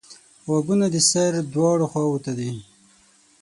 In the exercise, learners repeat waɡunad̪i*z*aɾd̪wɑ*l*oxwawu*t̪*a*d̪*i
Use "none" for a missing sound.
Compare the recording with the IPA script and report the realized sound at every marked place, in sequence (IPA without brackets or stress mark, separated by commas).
s, ɽ, t̪, d̪